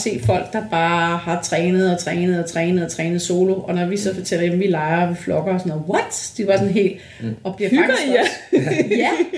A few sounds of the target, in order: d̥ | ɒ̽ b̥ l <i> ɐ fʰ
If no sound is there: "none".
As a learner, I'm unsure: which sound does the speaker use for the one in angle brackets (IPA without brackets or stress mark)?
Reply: i